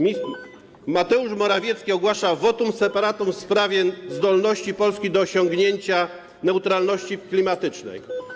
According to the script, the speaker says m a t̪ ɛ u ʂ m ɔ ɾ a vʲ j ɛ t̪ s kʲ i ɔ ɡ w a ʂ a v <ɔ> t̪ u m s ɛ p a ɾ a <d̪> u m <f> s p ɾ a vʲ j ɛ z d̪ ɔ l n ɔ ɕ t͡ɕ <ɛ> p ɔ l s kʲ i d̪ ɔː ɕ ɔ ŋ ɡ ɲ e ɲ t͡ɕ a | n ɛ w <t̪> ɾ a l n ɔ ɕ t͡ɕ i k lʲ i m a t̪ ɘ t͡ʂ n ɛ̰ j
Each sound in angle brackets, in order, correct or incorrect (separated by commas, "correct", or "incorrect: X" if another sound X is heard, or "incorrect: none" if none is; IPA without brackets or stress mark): correct, incorrect: t̪, correct, incorrect: i, correct